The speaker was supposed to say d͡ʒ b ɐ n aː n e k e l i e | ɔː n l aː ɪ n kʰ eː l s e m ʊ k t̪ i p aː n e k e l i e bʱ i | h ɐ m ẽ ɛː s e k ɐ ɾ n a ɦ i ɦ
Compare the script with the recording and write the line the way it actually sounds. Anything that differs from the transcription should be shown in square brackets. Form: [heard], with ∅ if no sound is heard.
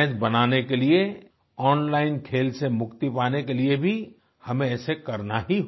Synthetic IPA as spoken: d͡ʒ b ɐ n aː n e k e l i e | ɔː n l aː ɪ n kʰ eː l s e m ʊ k t̪ i p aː n e k e l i e bʱ i | h ɐ m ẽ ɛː s e k ɐ ɾ n a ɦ i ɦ